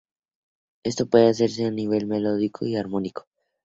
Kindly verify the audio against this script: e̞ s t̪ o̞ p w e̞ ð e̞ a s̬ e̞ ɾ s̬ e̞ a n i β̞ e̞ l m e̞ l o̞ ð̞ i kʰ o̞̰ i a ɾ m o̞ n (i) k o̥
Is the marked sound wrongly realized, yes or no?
no